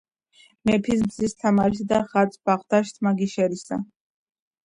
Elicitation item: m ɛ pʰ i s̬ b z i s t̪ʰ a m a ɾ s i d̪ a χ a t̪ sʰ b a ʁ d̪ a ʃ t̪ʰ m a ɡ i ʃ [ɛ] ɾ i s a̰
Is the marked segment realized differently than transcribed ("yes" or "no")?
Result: no